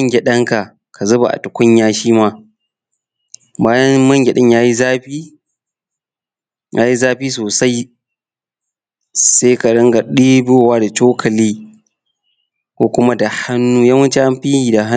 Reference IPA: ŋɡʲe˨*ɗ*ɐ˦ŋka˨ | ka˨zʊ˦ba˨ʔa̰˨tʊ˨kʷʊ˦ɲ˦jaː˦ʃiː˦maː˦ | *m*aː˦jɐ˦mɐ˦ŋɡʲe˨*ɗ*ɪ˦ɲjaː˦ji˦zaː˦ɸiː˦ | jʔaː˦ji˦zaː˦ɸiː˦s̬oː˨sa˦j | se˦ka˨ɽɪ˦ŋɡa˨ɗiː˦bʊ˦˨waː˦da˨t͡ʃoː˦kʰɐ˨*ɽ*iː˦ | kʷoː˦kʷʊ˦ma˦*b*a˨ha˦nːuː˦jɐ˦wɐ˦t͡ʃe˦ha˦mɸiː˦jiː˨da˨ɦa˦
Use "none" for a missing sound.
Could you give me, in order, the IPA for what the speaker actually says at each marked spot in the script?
ɗ, b, ɗ, l, d

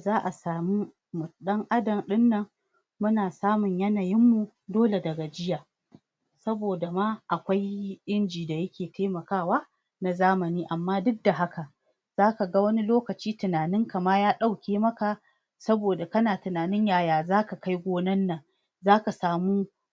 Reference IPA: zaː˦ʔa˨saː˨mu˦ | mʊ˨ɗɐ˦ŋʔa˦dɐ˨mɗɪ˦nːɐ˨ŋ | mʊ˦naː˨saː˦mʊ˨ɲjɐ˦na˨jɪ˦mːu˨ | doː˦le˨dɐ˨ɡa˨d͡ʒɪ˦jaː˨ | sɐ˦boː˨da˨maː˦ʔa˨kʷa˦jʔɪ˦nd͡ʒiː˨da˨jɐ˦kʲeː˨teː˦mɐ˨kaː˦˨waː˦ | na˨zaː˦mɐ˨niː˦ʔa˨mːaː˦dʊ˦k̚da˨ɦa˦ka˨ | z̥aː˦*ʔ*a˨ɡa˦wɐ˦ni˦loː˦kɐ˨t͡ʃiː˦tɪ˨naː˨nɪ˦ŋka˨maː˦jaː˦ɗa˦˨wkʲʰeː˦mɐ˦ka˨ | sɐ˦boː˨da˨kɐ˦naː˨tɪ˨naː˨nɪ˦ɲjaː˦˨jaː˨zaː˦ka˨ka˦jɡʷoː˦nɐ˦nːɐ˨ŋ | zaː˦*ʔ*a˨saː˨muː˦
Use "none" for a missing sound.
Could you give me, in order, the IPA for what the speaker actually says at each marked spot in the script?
k, k

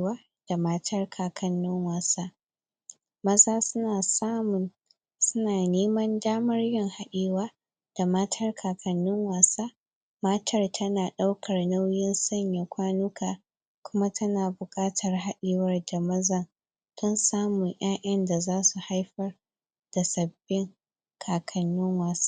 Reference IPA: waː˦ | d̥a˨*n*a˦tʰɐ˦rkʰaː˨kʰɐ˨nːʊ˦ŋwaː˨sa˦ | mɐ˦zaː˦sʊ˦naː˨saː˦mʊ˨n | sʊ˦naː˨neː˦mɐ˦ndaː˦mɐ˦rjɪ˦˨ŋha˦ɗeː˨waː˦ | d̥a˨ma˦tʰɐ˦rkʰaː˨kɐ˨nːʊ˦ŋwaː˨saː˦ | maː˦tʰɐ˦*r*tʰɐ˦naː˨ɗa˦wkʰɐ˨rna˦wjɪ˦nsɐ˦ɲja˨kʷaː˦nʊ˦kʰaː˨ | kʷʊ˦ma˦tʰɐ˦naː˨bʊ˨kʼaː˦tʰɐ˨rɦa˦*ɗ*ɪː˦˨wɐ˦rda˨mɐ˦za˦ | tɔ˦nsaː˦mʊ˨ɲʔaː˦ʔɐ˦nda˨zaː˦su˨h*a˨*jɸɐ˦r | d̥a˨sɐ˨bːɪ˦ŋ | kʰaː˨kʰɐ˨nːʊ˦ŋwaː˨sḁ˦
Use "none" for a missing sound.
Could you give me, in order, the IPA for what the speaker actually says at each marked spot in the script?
m, r, ɗ, a˦

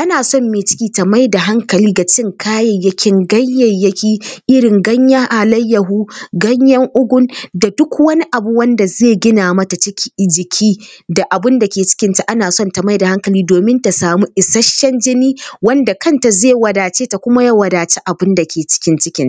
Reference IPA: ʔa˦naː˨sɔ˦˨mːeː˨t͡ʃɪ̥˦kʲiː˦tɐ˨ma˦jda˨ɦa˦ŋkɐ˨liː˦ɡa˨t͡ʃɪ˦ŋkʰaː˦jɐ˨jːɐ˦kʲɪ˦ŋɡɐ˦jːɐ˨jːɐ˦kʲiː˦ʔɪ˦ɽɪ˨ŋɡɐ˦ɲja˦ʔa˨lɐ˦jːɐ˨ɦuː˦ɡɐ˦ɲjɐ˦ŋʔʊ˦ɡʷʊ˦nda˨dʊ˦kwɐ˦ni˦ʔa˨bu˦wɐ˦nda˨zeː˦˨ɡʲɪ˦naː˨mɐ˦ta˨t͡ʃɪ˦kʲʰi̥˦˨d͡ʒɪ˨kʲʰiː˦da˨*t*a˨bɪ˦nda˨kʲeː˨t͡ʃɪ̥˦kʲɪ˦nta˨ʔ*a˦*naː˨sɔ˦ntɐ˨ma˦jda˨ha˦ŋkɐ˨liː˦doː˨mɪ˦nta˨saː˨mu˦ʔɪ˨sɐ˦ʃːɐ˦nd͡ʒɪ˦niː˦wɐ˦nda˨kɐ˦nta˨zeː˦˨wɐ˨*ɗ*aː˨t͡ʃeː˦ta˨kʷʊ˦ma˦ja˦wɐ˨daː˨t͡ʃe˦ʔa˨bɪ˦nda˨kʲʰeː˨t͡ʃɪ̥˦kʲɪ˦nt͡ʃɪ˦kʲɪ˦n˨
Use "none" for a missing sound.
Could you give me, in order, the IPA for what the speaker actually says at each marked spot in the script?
ʔ, a˦, d

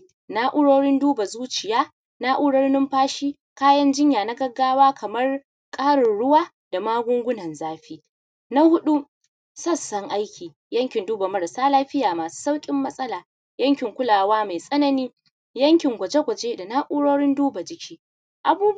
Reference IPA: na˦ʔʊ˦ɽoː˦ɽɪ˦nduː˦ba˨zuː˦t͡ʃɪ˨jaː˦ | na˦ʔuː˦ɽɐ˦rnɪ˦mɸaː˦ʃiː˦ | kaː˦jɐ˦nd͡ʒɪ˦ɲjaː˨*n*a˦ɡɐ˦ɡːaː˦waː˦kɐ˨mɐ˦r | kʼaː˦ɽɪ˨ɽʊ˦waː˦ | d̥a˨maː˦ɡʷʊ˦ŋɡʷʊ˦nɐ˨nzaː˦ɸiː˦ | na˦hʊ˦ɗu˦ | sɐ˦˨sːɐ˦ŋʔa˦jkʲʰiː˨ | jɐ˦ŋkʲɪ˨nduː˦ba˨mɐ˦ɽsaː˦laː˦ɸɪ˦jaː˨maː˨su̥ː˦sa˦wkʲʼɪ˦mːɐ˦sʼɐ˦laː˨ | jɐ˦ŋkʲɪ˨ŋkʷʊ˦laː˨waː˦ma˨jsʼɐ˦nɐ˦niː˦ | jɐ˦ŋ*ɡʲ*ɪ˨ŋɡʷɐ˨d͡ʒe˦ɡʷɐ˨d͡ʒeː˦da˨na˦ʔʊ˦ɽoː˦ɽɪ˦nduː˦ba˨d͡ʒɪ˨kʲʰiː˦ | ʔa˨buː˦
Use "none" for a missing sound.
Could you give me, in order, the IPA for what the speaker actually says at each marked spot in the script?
n, kʲ

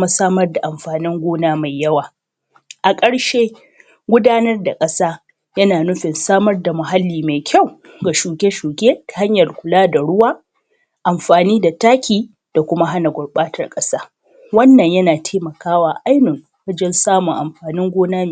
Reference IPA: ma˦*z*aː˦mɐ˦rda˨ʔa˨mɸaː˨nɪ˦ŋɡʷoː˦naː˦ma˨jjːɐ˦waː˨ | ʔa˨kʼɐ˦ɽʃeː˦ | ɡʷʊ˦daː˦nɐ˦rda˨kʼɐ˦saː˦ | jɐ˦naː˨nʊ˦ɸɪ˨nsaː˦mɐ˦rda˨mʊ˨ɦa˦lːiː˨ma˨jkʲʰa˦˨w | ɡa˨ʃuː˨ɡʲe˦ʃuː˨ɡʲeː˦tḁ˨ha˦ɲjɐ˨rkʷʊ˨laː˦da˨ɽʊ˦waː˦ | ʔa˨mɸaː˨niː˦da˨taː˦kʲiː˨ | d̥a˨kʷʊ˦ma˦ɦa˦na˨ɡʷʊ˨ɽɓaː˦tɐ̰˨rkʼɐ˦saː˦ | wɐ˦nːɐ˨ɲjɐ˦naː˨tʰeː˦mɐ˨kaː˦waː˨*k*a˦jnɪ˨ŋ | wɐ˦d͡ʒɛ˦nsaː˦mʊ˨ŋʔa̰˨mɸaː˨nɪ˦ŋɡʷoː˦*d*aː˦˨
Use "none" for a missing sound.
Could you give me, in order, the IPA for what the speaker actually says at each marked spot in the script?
s, ʔ, n

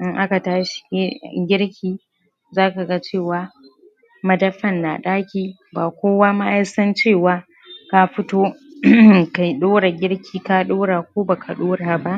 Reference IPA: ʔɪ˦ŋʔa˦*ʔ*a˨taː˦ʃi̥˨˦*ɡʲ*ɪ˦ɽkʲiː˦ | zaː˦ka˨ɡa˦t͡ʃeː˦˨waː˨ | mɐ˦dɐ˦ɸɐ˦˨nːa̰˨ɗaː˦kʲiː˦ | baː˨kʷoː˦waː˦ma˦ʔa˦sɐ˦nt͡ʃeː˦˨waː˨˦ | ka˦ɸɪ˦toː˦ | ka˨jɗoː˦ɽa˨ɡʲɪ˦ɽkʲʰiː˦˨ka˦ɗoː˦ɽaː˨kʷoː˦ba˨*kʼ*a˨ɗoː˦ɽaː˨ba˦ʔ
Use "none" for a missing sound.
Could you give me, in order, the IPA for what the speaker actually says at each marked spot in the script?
k, ɡʲ, k

